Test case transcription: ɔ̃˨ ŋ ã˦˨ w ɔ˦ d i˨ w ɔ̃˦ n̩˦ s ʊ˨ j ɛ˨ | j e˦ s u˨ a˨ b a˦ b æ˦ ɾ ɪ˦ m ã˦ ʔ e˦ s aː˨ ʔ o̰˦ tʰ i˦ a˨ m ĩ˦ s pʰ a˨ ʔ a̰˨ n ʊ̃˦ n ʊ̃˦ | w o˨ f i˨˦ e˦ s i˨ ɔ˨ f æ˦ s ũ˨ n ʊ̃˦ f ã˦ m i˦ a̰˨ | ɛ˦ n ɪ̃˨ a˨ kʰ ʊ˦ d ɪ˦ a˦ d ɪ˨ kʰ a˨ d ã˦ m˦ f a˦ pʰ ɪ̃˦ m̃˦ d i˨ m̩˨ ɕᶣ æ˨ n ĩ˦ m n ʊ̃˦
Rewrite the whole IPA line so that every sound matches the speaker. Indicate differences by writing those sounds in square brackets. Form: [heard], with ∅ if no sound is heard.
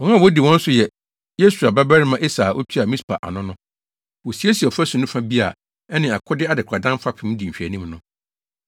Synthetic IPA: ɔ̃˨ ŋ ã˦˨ w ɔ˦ d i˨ w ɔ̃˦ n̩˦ s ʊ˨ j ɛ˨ | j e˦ s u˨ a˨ b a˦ b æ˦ ɾ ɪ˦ m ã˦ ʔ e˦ s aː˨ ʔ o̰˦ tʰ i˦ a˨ m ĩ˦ s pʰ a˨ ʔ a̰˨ n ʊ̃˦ n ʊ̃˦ | w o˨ [s] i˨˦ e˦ s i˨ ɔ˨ f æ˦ s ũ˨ n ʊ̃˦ f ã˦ [b] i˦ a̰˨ | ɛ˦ n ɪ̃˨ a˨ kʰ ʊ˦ d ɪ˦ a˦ d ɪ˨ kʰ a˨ d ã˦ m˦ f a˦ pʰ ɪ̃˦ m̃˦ d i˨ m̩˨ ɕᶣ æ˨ n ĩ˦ m n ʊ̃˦